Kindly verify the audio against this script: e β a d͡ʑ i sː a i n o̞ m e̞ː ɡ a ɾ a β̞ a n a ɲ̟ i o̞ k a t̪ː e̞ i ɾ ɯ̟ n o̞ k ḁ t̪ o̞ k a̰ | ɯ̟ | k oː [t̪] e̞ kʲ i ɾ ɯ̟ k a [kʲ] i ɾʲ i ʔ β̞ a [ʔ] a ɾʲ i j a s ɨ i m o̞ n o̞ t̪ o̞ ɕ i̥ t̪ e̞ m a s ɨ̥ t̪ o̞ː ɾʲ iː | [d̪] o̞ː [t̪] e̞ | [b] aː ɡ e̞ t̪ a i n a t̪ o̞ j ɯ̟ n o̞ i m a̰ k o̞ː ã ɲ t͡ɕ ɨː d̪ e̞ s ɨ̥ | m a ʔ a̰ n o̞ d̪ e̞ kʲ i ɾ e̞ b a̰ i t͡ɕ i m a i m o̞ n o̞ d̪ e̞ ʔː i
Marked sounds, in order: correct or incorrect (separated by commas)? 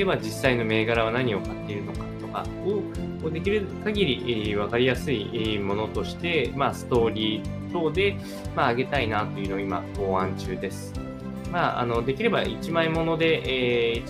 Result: incorrect, incorrect, incorrect, incorrect, incorrect, incorrect